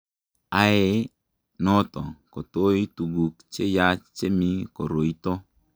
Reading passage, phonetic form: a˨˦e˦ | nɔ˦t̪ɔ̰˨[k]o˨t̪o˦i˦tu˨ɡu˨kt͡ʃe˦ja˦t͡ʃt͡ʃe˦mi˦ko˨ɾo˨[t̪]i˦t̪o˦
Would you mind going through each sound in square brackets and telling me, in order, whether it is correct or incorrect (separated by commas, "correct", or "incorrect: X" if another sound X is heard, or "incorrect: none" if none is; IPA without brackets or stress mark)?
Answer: correct, incorrect: none